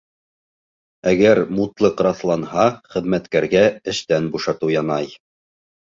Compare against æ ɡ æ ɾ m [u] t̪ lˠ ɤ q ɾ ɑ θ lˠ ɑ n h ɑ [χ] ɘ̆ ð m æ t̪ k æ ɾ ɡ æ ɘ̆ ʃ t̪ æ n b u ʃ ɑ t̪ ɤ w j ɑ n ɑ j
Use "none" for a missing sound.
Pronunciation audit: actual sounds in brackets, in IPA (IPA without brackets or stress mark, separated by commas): u, χ